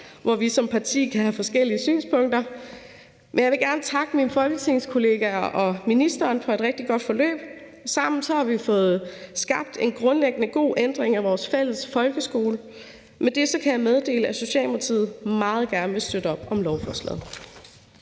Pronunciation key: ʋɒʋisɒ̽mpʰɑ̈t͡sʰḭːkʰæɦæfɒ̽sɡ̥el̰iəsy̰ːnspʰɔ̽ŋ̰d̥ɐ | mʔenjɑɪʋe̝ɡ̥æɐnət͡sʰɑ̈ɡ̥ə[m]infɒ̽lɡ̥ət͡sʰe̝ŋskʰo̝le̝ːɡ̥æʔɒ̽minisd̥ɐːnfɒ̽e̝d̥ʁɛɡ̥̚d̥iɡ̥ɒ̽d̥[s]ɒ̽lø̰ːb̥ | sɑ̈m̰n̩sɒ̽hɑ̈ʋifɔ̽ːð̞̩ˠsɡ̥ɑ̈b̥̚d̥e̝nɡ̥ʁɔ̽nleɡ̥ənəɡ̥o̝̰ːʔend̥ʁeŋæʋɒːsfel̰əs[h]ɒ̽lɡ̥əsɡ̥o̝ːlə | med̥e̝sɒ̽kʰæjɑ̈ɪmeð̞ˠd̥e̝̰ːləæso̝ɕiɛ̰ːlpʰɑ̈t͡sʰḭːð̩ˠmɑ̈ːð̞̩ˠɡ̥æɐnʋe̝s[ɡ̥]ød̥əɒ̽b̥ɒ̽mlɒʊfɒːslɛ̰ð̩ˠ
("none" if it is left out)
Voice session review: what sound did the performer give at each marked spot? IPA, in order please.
m, f, f, d̥

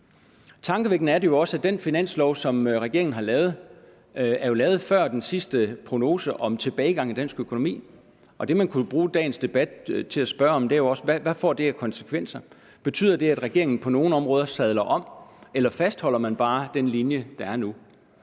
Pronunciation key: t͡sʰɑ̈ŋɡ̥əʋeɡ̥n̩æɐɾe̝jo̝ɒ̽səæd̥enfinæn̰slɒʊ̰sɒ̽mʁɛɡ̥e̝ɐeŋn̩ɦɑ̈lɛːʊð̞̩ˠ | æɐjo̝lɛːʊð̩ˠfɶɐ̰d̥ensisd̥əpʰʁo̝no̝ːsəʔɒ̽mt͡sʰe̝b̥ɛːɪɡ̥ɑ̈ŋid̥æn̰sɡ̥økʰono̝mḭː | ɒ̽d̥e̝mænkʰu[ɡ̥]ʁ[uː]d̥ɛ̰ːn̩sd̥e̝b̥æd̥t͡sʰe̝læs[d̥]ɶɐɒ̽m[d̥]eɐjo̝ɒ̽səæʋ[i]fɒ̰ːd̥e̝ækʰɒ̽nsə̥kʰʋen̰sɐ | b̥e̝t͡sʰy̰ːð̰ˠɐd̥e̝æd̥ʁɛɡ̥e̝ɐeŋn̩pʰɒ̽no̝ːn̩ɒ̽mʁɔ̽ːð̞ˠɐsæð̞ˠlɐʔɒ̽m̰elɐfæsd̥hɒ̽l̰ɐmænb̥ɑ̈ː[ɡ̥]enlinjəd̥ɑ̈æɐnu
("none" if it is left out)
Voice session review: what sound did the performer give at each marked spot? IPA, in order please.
b̥, uː, b̥, d̥, æ, d̥

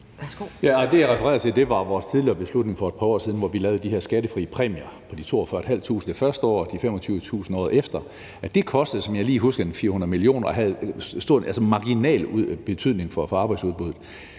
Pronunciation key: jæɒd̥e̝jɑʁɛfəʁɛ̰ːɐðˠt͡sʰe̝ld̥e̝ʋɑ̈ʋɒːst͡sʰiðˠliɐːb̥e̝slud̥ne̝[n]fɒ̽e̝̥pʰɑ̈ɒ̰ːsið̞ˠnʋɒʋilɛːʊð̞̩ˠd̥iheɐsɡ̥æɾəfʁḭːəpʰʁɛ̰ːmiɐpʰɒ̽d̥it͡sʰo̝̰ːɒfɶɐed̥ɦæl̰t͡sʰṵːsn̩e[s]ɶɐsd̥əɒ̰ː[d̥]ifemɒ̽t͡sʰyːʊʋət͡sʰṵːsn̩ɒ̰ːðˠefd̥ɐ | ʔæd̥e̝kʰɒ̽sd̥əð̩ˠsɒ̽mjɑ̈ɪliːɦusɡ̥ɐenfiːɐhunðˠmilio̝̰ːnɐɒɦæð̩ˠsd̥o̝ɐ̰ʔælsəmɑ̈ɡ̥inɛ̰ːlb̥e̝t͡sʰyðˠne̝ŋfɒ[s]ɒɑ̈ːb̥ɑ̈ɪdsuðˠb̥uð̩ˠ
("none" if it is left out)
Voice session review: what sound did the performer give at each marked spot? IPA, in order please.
ŋ, f, d̥, f

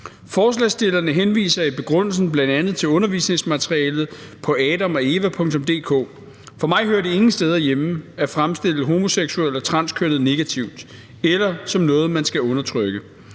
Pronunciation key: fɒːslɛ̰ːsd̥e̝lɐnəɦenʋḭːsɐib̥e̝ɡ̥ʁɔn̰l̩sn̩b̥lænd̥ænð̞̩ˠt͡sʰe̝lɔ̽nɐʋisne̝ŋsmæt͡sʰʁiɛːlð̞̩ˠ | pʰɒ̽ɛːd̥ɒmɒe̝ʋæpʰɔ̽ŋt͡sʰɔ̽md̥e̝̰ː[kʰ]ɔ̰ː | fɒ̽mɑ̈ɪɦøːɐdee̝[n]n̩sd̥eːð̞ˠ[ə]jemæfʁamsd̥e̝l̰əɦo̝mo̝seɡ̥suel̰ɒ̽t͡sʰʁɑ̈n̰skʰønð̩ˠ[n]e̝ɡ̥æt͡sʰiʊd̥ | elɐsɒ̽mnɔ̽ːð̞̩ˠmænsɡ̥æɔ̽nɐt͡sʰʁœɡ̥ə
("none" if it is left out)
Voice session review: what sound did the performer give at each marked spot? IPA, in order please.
kʰ, ŋ, ɐ, n

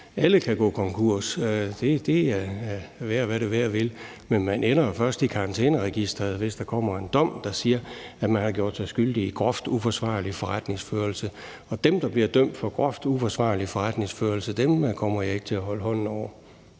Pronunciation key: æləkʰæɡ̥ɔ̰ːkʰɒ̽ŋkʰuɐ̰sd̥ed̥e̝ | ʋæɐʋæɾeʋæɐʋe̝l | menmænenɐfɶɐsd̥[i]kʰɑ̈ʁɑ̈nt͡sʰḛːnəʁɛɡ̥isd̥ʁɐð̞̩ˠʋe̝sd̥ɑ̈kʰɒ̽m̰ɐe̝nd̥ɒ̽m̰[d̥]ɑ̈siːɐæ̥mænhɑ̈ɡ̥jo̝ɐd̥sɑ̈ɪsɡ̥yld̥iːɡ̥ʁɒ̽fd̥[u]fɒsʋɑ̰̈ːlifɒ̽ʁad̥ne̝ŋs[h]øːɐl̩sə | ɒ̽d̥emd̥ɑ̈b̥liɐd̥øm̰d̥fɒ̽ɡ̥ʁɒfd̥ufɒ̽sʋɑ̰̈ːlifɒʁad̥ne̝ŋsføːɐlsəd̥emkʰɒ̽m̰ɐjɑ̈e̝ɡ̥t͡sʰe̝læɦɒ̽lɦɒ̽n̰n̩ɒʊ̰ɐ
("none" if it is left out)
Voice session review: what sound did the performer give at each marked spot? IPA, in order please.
i, d̥, u, f

